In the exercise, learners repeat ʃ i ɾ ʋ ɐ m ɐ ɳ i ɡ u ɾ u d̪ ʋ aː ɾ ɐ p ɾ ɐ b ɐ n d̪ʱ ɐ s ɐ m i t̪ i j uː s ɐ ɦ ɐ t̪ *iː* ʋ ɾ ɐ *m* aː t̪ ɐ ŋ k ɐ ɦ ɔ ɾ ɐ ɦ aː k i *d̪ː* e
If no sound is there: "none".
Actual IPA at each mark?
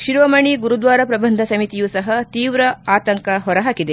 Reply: iː, none, d̪

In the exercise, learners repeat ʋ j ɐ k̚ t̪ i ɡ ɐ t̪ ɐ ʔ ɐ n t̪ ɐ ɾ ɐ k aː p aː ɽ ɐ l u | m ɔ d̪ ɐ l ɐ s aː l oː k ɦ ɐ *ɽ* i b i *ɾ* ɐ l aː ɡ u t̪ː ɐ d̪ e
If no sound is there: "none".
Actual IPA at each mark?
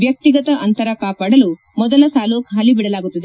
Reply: l, ɽ

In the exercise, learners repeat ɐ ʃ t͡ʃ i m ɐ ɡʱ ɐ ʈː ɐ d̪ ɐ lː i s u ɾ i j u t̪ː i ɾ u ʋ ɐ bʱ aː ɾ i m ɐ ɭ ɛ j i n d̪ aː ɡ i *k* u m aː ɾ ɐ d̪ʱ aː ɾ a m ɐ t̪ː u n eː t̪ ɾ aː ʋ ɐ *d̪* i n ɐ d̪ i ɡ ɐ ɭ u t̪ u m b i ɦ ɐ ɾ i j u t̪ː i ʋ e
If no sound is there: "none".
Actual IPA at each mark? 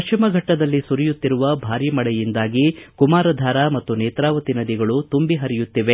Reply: k, t̪

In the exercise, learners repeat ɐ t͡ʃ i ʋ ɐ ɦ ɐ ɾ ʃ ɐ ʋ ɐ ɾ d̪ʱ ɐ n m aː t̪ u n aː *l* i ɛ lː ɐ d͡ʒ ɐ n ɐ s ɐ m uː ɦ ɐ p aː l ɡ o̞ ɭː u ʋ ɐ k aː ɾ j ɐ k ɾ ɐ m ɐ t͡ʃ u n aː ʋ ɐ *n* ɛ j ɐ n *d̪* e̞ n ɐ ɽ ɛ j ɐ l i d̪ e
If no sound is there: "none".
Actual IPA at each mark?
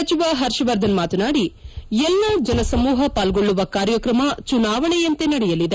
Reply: ɽ, ɳ, t̪

